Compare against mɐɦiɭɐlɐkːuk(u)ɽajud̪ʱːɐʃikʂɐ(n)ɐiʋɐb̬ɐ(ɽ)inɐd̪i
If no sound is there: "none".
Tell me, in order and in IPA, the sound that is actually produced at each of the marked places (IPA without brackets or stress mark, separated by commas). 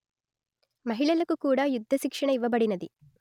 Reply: uː, ɳ, ɽ